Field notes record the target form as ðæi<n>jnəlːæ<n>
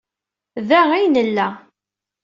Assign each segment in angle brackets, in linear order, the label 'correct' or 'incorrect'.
incorrect: none, incorrect: none

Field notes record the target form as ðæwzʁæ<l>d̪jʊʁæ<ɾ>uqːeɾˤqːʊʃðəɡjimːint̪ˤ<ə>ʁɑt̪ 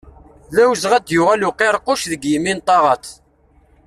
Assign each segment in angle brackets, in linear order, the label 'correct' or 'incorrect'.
incorrect: none, incorrect: l, incorrect: ɑ

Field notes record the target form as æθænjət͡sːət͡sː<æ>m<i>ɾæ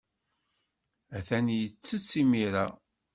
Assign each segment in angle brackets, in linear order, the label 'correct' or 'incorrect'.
incorrect: i, correct

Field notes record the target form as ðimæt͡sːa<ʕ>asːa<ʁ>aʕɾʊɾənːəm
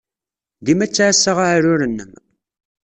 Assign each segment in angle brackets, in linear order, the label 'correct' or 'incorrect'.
correct, correct

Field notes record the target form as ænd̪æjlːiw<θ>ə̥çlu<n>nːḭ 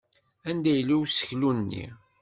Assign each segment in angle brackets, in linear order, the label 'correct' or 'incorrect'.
incorrect: s, correct

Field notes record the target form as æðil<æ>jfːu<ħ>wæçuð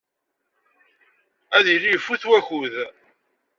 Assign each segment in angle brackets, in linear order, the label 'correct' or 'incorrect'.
incorrect: i, incorrect: θ

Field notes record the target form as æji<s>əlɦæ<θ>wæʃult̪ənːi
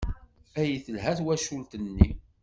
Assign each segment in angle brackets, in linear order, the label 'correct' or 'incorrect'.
incorrect: θ, correct

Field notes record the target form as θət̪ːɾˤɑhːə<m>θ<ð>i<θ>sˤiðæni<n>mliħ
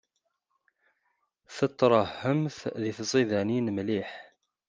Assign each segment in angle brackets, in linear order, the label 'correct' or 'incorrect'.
correct, correct, correct, correct

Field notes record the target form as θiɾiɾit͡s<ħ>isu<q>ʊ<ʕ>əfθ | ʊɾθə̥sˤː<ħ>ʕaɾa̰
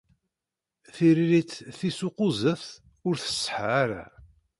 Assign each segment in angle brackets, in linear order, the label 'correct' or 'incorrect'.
incorrect: θ, correct, incorrect: z, correct

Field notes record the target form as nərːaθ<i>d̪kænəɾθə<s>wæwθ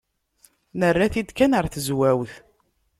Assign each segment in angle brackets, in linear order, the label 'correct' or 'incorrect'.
correct, incorrect: z

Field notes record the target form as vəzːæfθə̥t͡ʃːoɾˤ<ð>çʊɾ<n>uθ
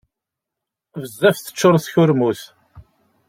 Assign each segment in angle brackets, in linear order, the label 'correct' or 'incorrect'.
incorrect: θ, incorrect: m

